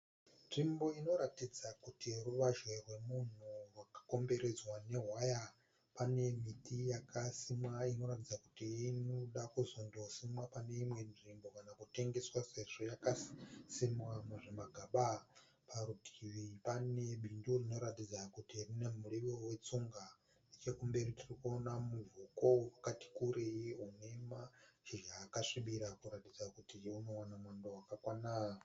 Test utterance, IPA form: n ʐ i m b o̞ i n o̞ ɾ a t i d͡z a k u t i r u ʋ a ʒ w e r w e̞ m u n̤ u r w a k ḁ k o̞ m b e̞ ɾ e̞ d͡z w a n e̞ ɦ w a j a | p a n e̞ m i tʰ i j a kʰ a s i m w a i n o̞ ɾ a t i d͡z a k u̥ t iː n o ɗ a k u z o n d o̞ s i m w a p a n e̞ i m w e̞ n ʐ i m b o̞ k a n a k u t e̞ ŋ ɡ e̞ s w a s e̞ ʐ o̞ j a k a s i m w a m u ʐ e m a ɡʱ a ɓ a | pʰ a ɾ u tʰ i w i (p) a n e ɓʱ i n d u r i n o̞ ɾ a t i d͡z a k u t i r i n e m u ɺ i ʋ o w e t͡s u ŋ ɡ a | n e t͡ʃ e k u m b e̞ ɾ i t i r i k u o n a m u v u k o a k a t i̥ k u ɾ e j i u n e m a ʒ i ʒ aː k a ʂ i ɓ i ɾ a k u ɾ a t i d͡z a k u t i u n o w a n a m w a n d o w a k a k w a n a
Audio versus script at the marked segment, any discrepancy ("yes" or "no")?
no